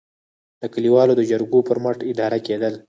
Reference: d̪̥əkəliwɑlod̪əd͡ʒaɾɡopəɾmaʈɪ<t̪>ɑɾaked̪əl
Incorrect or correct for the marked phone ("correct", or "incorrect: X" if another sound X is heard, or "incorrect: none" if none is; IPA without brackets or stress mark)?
incorrect: d̪